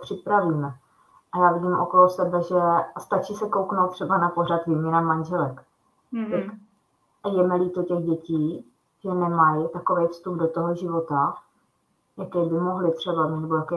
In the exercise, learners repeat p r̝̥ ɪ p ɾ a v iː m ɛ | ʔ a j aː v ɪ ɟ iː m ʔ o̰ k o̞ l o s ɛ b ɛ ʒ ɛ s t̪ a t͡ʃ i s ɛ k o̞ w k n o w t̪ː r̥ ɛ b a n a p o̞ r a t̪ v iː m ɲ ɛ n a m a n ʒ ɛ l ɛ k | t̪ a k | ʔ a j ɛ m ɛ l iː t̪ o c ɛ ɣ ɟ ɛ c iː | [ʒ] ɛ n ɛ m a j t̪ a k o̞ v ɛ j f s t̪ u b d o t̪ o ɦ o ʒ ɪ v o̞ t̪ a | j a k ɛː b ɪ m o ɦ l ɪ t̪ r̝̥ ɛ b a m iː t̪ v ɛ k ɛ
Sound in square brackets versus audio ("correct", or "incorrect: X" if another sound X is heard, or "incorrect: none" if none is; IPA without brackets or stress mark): correct